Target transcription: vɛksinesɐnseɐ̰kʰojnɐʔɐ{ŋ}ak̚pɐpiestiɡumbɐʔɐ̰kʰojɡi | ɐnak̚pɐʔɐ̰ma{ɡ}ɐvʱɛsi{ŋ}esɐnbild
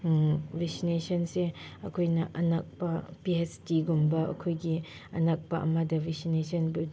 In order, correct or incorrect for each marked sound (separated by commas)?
incorrect, incorrect, incorrect